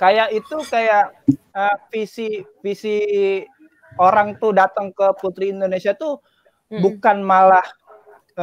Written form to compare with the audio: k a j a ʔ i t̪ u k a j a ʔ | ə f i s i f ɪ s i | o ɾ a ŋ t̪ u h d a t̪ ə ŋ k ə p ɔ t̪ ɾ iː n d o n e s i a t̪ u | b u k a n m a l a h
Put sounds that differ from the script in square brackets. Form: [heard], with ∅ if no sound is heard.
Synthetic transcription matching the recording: k a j a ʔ i t̪ u k a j a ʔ | ə f i s i f [i] s i | o ɾ a ŋ t̪ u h d a t̪ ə ŋ k ə p [u] t̪ ɾ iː n d o n e s i a t̪ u | b u k a n m a l a h